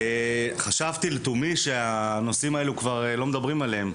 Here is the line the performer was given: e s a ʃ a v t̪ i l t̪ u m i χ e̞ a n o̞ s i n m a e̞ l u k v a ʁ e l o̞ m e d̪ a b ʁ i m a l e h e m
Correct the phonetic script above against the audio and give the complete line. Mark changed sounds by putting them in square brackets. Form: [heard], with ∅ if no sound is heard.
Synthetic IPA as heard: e [χ] a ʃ a v t̪ i l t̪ u m i [ʃ] e̞ a n o̞ s i [∅] m a e̞ l u k v a ʁ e l o̞ m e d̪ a b ʁ i m a l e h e m